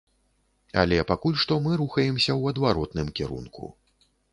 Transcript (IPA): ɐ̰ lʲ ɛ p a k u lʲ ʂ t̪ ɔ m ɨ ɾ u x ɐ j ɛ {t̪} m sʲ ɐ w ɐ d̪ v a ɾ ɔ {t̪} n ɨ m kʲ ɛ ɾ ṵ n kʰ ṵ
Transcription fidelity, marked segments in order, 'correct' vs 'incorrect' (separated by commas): incorrect, correct